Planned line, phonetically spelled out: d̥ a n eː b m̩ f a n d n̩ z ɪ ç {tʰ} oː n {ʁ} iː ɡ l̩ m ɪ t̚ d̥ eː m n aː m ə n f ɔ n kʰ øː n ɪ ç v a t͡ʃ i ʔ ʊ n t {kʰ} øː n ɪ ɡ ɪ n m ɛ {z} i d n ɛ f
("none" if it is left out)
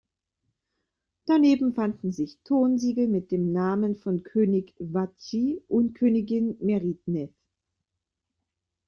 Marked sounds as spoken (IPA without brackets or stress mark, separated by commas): tʰ, z, kʰ, ʁ